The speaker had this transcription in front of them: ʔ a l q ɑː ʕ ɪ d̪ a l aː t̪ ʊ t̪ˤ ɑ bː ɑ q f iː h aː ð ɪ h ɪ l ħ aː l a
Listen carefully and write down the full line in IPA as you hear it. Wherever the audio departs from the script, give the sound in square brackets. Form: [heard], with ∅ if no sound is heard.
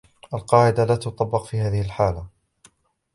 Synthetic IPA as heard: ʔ a l q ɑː ʕ ɪ d̪ a l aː t̪ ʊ t̪ˤ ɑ bː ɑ q f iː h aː ð ɪ h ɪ l ħ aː l a